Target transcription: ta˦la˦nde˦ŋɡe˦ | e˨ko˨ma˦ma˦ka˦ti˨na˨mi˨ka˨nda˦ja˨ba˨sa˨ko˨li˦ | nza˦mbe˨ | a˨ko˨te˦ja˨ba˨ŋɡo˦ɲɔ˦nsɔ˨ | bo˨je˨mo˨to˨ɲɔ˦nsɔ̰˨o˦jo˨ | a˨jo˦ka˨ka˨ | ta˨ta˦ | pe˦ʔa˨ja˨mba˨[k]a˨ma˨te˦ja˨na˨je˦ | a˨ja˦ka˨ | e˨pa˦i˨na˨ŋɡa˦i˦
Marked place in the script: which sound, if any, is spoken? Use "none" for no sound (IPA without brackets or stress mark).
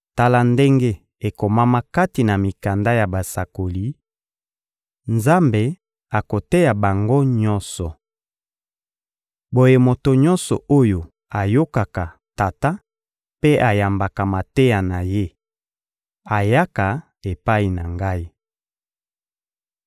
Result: k